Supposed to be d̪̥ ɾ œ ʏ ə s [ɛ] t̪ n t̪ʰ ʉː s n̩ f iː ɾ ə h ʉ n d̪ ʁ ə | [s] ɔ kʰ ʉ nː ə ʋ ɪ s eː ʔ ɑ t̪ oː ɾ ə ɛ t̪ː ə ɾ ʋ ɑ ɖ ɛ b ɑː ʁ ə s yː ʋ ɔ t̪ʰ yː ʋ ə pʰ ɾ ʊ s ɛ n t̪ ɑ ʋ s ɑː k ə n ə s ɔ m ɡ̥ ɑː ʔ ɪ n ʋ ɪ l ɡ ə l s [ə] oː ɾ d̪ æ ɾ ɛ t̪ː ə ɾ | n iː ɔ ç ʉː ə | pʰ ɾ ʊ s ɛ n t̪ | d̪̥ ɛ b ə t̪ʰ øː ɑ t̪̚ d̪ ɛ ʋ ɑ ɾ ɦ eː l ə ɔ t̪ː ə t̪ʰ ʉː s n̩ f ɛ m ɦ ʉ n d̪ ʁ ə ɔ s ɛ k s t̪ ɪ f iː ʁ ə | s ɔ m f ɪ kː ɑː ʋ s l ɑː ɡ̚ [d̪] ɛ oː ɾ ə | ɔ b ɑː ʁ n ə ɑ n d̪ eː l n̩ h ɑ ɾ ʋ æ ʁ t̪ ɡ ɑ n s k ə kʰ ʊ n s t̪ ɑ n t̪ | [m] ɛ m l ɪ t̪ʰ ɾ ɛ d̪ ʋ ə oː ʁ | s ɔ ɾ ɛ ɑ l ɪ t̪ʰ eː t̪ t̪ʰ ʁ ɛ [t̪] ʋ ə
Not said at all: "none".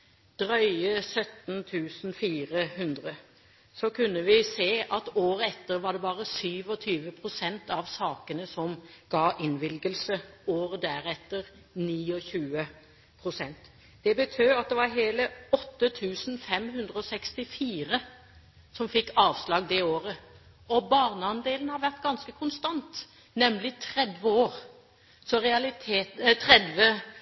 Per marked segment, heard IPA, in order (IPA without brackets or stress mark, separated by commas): œ, s, ə, d̪, n, d̪